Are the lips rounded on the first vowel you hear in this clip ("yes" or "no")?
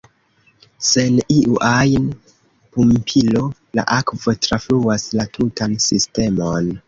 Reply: no